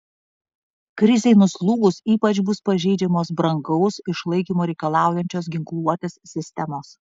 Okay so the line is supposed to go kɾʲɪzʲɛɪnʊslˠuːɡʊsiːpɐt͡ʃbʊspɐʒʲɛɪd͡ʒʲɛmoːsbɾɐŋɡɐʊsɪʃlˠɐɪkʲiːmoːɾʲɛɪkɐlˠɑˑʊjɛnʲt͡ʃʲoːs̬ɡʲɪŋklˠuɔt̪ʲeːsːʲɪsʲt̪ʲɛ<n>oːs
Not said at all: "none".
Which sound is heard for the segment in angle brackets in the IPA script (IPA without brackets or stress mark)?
m